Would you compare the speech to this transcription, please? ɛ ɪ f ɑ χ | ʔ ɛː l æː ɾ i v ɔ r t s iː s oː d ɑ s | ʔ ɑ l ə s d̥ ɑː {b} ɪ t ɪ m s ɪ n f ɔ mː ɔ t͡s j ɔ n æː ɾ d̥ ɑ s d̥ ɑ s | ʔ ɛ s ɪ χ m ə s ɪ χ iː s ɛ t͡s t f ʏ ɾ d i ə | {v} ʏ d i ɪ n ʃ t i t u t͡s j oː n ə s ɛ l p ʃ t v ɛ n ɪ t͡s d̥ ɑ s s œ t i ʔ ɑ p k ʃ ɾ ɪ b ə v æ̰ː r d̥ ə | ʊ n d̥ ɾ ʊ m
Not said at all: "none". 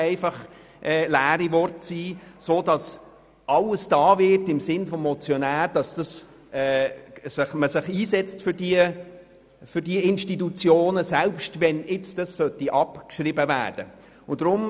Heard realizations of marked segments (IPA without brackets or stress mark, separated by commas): v, f